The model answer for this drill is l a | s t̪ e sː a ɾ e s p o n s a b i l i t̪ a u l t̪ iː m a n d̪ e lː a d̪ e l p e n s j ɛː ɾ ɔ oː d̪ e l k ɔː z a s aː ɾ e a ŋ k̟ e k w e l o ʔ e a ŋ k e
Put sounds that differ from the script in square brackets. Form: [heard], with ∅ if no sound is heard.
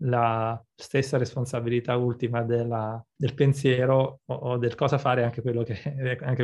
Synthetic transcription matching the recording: l a | s t̪ e sː a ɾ e s p o n s a b i l i t̪ a u l t̪ [i] m a [∅] d̪ e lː a d̪ e l p e n s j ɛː ɾ [o] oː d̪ e l k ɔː z a [f] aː ɾ e a ŋ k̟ e k w e [lː] o [k] e a ŋ k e